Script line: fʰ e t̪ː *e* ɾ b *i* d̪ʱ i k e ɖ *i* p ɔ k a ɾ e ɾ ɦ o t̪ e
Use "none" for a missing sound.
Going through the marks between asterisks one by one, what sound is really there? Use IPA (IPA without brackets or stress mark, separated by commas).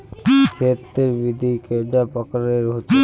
e, i, a